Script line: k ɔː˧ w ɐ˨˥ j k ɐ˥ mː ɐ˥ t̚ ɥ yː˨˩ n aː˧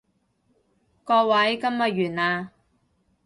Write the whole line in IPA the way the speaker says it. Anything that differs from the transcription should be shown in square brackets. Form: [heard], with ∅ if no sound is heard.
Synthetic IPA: k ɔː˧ w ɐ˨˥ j k ɐ˥ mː [ɐ˨] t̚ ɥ yː˨˩ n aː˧